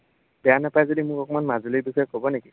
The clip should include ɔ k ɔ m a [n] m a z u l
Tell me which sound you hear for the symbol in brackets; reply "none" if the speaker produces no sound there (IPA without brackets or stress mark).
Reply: n